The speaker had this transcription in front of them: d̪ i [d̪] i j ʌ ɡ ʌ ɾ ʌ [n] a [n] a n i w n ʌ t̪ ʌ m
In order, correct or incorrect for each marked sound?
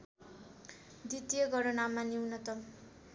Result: incorrect: t̪, correct, incorrect: m

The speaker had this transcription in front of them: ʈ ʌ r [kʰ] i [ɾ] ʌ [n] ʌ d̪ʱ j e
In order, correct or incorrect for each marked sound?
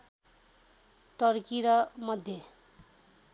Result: incorrect: k, correct, incorrect: m

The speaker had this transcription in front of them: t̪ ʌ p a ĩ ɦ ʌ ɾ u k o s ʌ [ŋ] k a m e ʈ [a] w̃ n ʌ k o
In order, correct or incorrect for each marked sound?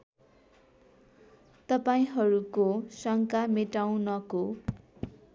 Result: correct, correct

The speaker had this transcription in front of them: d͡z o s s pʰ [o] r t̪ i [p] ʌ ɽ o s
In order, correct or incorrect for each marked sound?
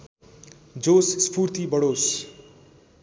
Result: incorrect: u, incorrect: b

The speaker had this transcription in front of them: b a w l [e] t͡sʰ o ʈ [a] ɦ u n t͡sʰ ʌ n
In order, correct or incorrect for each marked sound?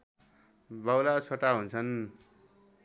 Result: incorrect: a, correct

